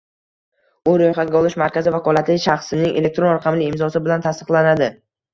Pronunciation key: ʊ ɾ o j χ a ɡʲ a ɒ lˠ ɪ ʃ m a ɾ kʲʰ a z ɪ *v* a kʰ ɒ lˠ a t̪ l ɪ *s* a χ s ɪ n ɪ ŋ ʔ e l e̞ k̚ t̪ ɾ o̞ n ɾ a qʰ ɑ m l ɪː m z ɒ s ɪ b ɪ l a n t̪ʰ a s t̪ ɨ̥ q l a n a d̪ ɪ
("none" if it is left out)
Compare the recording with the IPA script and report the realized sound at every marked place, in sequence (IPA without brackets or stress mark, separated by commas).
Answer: v, ʃ